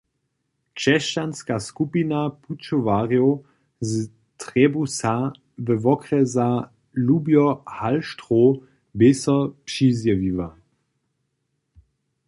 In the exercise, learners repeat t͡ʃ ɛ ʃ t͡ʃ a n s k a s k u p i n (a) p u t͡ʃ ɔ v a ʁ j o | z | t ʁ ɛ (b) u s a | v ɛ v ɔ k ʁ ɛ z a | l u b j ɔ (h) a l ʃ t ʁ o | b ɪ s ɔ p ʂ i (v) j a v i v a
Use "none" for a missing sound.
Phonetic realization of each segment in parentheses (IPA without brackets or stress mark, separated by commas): a, b, h, z